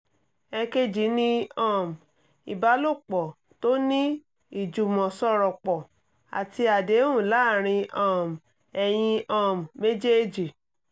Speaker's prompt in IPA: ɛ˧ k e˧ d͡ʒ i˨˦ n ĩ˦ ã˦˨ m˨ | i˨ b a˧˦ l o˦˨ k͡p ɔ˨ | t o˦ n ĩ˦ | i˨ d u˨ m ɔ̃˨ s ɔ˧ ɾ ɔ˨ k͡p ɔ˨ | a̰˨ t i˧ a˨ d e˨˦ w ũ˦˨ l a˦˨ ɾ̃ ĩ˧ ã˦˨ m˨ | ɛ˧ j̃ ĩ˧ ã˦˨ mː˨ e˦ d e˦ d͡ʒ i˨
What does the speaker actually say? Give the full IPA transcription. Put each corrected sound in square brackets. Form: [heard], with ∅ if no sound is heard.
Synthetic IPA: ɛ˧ k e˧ d͡ʒ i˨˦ n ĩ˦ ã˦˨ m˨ | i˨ b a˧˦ l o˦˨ k͡p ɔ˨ | t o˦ n ĩ˦ | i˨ [d͡ʒ] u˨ m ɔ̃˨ s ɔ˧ ɾ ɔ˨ k͡p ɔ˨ | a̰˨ t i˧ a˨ d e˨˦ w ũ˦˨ l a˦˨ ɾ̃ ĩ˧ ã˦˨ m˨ | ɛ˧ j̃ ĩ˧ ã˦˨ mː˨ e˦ [d͡ʒ] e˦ d͡ʒ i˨